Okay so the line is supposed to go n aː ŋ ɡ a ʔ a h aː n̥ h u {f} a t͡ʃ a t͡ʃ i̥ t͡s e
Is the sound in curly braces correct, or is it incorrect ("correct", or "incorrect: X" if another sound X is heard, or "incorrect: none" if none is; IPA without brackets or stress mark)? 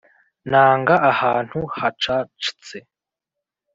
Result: incorrect: h